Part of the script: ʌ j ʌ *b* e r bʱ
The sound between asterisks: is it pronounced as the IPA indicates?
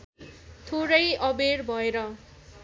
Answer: yes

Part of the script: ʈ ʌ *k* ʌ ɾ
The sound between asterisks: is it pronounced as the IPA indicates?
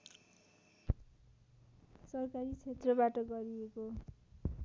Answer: no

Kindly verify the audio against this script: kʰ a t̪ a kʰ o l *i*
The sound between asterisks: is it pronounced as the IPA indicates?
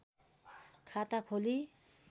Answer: yes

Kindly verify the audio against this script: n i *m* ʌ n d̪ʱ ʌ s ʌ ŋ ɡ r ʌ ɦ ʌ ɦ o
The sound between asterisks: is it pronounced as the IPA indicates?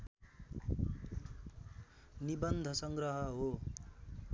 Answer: no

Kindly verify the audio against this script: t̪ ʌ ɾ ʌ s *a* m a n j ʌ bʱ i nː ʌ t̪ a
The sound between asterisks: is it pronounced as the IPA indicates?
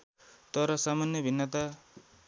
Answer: yes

